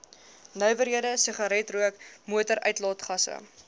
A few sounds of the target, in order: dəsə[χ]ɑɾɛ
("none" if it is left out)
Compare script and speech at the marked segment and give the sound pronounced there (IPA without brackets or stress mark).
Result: χ